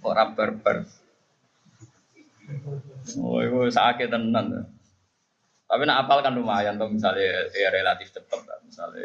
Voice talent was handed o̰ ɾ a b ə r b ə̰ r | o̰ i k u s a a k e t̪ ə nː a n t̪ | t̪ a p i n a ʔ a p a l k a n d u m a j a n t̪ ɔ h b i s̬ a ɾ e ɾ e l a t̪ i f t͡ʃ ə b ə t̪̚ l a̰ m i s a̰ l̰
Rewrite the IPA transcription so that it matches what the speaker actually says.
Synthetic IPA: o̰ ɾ a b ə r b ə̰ r | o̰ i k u s a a k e t̪ ə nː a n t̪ | t̪ a p i n a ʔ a p a l k a n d u m a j a n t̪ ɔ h m i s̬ a l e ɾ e l a t̪ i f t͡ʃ ə p ə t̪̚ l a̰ m i s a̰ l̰